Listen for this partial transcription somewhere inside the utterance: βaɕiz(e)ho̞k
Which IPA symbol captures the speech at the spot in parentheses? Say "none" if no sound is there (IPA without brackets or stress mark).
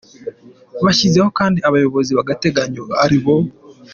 e